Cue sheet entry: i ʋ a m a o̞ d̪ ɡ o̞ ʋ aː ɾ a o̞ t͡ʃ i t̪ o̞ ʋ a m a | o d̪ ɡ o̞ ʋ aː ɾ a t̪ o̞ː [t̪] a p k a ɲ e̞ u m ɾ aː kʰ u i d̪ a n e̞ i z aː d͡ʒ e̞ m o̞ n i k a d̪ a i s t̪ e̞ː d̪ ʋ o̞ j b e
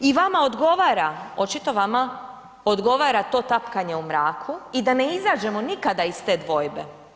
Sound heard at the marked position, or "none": t̪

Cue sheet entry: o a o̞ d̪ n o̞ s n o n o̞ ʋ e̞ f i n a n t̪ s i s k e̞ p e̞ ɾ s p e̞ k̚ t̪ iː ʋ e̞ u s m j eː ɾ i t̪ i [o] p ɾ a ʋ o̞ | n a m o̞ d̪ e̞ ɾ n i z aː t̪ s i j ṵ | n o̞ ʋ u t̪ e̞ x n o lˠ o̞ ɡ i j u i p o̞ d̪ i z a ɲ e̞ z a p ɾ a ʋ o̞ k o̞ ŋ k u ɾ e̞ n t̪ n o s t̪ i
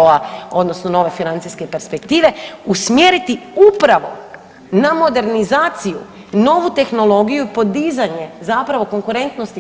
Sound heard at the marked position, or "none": u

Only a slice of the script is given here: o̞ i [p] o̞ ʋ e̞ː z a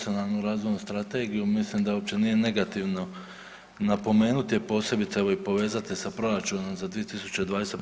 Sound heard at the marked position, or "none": p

